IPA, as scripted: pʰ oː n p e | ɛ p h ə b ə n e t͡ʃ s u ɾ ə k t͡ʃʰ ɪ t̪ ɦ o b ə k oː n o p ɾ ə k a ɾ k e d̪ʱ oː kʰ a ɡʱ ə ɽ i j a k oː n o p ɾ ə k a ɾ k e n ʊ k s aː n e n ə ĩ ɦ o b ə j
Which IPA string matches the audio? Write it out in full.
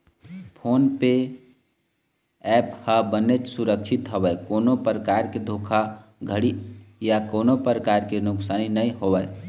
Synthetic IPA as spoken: pʰ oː n p e | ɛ p h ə b ə n e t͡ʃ s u ɾ ə k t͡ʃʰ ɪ t̪ ɦ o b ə k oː n o p ɾ ə k a ɾ k e d̪ʱ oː kʰ a ɡʱ ə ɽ i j a k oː n o p ɾ ə k a ɾ k e n ʊ k s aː n i n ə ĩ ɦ o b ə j